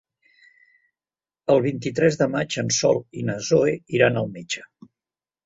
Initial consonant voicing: voiced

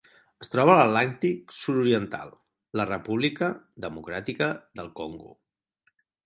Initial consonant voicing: voiceless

